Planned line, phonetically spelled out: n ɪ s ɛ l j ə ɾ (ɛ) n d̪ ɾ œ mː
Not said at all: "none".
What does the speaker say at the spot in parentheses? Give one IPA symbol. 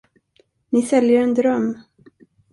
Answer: ɛ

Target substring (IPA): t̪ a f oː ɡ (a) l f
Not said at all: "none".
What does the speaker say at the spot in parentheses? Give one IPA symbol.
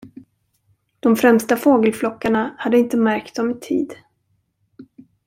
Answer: ə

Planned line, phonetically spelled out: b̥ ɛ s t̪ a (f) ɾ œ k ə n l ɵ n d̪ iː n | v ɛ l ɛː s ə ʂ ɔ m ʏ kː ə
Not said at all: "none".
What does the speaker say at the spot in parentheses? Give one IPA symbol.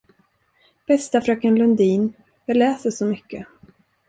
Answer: f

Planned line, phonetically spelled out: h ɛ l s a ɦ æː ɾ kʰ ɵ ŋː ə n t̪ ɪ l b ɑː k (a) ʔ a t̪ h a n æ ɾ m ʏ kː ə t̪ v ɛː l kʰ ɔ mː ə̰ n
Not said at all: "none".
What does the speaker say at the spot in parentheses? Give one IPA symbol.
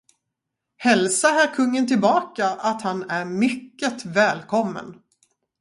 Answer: a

